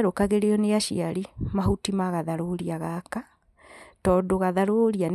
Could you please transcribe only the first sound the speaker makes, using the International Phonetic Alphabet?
ɾ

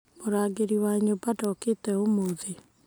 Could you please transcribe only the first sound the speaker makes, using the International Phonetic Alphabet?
m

